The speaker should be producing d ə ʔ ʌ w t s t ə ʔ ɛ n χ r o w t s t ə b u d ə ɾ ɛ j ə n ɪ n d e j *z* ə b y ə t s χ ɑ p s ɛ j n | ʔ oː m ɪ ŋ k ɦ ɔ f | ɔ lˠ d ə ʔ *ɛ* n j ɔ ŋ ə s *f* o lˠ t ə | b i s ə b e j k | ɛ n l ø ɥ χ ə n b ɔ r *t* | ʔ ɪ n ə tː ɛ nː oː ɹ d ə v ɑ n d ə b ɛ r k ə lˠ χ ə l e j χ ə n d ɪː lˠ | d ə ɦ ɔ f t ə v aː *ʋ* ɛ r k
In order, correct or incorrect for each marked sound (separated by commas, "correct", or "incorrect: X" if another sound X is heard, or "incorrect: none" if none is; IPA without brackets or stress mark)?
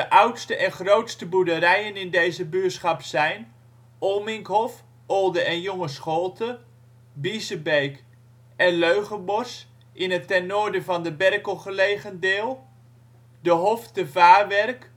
correct, correct, incorrect: χ, incorrect: s, correct